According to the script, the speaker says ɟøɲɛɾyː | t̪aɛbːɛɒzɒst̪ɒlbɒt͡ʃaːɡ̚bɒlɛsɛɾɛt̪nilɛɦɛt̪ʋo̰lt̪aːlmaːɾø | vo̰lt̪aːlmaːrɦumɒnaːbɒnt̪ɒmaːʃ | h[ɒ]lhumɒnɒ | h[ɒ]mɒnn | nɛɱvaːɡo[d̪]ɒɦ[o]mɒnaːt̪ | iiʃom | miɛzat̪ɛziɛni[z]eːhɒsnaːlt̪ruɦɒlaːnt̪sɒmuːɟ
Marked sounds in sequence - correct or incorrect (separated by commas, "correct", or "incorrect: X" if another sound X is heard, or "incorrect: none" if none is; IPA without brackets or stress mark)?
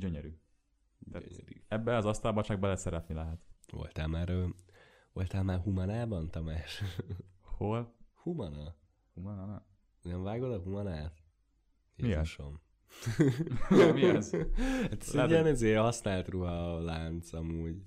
incorrect: o, incorrect: u, correct, incorrect: u, correct